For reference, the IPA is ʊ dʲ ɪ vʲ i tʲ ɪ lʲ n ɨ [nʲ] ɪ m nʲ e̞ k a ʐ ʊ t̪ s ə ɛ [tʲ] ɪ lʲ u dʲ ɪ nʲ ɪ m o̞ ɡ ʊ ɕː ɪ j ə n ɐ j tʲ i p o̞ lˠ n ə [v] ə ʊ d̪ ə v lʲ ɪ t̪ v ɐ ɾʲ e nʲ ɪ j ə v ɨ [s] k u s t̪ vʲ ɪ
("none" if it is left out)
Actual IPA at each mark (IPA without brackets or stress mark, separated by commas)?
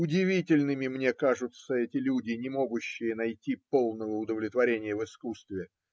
mʲ, tʲ, v, s